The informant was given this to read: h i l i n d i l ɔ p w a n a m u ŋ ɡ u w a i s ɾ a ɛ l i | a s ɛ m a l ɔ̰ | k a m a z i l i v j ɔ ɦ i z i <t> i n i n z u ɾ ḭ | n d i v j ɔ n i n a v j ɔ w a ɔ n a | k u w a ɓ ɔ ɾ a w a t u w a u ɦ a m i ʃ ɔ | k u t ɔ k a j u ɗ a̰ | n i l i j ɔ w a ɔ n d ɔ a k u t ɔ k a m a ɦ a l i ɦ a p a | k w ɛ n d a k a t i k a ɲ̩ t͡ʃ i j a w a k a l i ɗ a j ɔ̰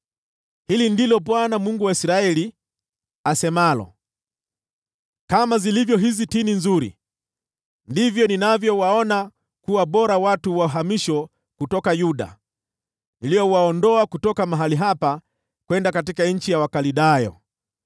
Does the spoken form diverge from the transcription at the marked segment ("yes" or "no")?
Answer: no